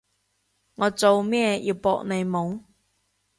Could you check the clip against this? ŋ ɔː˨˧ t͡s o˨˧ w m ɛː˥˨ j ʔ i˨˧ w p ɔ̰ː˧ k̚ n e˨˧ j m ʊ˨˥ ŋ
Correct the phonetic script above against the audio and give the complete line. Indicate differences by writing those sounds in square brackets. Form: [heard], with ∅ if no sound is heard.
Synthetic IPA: ŋ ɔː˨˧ t͡s o˨˧ w m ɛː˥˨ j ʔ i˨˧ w p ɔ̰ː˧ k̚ n e˨˧ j m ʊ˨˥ ŋ